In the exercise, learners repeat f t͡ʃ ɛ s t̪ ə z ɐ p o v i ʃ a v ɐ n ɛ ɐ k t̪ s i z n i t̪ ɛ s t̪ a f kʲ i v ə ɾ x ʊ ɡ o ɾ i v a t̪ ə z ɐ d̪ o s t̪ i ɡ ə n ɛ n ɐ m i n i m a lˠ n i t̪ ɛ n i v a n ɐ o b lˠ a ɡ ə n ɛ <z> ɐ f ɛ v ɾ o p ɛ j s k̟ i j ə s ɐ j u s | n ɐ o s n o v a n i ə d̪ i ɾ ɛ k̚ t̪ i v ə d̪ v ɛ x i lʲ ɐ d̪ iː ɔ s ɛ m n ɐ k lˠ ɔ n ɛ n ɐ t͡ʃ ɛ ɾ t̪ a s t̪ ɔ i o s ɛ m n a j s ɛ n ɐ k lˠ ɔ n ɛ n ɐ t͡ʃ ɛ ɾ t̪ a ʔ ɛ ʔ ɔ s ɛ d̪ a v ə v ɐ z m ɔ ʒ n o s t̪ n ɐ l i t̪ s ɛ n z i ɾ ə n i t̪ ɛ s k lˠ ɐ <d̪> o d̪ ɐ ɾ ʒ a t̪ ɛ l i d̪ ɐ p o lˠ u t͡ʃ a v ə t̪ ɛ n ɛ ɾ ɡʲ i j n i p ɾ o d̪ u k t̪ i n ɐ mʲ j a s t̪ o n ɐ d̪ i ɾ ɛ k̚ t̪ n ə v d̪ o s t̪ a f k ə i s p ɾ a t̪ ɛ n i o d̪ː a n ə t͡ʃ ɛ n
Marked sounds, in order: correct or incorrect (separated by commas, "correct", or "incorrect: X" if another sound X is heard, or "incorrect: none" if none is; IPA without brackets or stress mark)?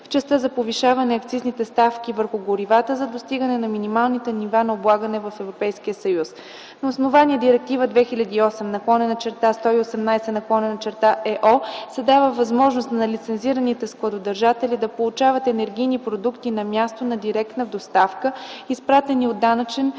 incorrect: v, correct